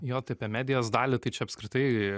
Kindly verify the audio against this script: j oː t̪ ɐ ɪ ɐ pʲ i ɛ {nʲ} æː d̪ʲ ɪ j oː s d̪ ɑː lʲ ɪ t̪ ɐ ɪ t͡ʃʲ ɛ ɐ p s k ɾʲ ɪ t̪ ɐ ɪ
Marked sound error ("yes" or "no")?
yes